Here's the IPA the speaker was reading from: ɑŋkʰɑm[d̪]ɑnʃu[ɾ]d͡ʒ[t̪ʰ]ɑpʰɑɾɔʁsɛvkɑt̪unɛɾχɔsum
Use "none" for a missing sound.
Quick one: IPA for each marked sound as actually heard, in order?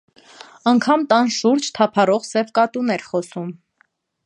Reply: t̪, ɾ, t̪ʰ

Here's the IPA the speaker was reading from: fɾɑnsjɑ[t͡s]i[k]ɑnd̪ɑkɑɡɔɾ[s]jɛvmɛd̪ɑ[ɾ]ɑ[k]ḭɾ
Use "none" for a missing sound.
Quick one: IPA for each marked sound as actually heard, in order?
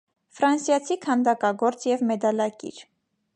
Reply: t͡sʰ, kʰ, t͡s, l, k

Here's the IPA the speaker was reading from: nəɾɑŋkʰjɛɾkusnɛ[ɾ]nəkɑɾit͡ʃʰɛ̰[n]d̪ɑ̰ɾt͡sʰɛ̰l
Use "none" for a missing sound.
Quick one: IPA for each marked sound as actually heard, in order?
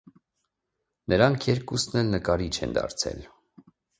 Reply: l, n

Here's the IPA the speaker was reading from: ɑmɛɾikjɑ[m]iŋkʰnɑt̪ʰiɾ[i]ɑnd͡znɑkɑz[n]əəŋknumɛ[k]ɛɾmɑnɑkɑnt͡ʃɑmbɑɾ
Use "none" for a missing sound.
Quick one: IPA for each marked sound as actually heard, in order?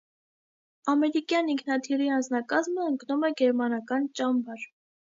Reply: n, i, m, ɡ

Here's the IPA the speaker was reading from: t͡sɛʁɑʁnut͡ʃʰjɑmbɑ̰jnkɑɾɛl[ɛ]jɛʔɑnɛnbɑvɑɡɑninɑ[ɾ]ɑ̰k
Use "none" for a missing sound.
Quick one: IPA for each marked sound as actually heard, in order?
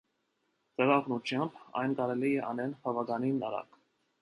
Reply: i, ɾ

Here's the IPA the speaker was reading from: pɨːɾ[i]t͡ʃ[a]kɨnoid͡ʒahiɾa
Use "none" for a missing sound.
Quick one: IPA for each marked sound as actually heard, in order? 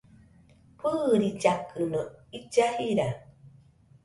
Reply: i, a

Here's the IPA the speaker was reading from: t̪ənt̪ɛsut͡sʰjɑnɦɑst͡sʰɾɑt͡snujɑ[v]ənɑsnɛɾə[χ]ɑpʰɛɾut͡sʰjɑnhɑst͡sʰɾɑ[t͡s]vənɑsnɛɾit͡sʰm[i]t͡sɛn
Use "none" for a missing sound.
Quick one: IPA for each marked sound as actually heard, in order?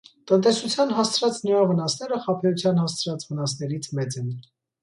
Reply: v, χ, t͡s, ɛ

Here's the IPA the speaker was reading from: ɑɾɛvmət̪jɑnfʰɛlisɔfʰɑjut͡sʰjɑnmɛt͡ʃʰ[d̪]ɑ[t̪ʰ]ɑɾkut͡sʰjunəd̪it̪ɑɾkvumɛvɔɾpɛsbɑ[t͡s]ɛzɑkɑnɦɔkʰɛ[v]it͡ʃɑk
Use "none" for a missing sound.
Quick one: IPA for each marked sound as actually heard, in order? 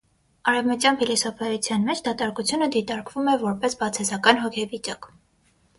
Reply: d̪, t̪, t͡sʰ, v

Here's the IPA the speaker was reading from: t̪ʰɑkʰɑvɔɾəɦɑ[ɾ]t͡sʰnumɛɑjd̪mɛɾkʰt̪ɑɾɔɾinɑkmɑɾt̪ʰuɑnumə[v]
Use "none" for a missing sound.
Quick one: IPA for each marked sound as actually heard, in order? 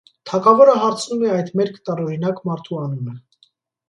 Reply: ɾ, none

